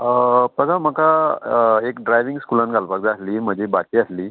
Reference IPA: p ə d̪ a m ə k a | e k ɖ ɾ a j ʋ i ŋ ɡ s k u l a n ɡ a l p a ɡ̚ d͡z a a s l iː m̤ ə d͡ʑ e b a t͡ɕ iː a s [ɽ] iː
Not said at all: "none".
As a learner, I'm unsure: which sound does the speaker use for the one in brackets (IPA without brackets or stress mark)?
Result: l